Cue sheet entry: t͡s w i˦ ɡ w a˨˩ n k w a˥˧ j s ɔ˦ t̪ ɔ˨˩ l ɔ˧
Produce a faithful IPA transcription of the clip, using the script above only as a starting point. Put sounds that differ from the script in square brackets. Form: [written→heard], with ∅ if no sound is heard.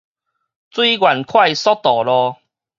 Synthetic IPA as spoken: t͡s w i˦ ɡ w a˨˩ n [k→kʰ] w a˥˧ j s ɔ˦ t̪ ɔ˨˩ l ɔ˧